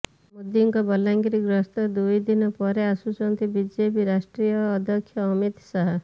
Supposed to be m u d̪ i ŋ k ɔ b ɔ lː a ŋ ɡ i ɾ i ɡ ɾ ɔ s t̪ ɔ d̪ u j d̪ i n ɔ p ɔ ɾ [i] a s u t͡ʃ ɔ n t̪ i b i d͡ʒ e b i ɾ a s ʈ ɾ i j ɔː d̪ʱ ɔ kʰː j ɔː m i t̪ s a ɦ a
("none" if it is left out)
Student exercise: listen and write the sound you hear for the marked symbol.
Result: e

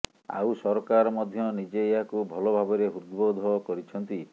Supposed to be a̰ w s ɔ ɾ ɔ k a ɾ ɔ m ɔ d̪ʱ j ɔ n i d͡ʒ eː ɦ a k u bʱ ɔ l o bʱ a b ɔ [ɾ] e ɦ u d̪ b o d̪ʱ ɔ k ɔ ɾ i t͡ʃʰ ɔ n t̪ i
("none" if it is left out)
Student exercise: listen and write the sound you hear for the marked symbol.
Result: ɾ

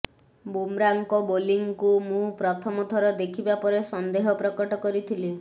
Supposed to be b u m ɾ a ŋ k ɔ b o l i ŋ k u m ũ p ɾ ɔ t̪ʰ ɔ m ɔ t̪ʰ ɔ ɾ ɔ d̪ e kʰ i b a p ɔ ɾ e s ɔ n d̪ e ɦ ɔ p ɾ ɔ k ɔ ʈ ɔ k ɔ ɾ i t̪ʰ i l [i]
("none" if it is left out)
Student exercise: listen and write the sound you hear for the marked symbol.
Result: i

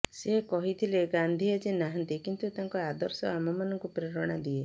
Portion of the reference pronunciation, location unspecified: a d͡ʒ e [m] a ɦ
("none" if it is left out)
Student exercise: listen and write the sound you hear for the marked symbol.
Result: n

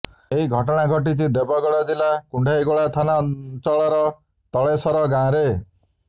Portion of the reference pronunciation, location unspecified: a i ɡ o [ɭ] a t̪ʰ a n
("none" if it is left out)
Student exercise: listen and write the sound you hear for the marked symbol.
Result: ɭ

